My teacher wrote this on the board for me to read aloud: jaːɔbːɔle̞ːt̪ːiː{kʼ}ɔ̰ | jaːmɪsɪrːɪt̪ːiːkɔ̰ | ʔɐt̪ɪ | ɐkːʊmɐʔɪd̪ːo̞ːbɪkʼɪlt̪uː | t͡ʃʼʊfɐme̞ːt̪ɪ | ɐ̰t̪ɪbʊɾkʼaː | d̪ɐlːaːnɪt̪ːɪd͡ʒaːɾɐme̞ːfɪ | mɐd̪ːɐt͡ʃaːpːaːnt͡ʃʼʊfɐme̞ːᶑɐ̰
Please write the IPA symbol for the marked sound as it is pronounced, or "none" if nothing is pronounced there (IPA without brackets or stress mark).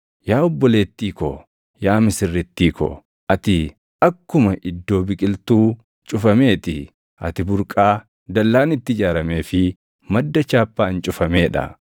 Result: k